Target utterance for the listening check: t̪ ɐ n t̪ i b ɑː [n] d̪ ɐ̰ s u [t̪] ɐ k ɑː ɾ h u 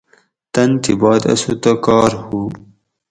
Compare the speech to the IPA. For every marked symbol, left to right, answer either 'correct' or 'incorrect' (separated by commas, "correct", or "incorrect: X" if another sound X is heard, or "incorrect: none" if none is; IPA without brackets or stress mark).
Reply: incorrect: none, correct